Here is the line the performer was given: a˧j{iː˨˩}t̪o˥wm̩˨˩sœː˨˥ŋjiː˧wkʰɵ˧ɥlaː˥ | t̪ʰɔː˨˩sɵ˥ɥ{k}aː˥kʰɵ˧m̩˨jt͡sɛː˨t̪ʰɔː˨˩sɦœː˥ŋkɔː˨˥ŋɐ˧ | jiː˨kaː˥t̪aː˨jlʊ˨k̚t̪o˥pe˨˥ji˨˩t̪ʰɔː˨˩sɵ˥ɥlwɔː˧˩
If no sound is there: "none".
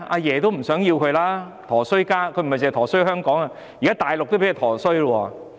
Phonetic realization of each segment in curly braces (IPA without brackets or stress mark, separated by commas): ɛː˨˩, k